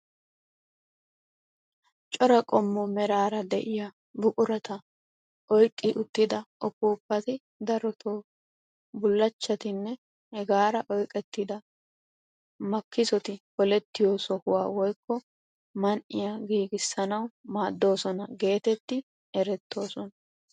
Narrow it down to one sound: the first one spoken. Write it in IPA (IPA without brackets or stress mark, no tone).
t͡ʃʼ